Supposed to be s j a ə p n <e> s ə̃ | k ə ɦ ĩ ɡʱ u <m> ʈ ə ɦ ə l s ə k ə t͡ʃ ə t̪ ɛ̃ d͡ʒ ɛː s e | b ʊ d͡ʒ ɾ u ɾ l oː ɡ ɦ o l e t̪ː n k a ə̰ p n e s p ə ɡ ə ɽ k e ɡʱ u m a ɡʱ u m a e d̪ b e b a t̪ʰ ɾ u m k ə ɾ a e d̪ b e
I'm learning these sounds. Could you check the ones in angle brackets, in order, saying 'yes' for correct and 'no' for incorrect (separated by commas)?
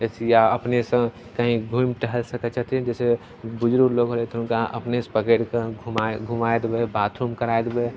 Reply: yes, yes